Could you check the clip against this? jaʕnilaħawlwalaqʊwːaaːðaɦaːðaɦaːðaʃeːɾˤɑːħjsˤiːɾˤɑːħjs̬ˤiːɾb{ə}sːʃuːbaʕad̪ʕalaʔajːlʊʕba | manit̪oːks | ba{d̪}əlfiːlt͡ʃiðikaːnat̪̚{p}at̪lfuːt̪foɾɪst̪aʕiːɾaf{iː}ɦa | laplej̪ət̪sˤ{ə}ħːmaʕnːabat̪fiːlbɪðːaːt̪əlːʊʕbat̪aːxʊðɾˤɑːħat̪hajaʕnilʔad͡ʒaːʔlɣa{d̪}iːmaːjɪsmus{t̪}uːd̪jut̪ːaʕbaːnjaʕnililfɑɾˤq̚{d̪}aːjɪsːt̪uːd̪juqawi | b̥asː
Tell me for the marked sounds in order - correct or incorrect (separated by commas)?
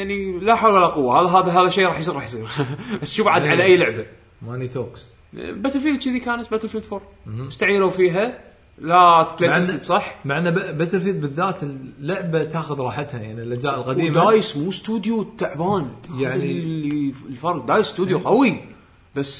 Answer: incorrect, incorrect, incorrect, correct, incorrect, correct, correct, correct